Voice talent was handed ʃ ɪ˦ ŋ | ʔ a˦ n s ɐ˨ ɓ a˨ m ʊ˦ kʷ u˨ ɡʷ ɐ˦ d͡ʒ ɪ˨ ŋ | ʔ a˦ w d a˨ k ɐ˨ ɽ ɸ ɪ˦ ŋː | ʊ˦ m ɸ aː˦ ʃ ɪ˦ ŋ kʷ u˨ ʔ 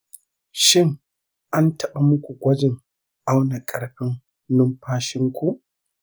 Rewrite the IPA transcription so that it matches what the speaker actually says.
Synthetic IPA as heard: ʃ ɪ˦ ŋ | ʔ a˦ n t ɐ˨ ɓ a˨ m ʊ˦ kʷ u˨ ɡʷ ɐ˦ d͡ʒ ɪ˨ ŋ | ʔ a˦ w n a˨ kʼ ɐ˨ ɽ ɸ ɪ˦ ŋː | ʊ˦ m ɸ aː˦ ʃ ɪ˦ ŋ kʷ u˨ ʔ